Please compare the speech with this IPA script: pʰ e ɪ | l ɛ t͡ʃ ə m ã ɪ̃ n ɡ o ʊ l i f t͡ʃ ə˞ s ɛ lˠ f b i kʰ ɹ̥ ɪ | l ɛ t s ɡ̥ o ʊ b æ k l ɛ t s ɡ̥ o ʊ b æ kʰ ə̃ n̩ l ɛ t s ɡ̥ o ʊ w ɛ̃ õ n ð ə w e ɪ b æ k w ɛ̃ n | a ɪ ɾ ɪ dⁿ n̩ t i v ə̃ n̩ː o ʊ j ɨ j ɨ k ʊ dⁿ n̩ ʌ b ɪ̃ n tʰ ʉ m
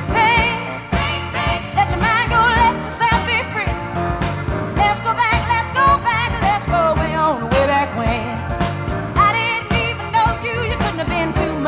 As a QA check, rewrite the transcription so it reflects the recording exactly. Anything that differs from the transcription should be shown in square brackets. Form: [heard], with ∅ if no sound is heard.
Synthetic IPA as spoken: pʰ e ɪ | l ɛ t͡ʃ ə m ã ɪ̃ n ɡ o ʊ l [ɛ] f t͡ʃ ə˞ s ɛ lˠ f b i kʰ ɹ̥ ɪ | l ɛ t s ɡ̥ o ʊ b æ k l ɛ t s ɡ̥ o ʊ b æ [k] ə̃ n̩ l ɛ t s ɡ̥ o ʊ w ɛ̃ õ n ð ə w e ɪ b æ k w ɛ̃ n | a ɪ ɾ ɪ dⁿ n̩ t i v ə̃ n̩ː o ʊ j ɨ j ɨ k ʊ dⁿ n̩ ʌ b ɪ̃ n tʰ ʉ m